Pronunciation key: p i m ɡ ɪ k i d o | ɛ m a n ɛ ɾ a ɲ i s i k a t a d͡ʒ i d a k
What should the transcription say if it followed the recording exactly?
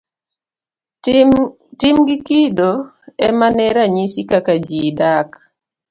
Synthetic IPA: t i m ɡ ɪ k i d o | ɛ m a n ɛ ɾ a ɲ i s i k a k a d͡ʒ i d a k